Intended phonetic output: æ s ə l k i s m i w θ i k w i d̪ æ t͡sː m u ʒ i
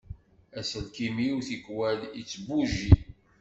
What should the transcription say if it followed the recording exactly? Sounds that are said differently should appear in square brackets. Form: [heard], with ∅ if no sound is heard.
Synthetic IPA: æ s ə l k i [∅] m i w θ i k w [æ] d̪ [i] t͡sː [b] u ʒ i